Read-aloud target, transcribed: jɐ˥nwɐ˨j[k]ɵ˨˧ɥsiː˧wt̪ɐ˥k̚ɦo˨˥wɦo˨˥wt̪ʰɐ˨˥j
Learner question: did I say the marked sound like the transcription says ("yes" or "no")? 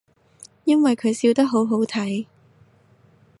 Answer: no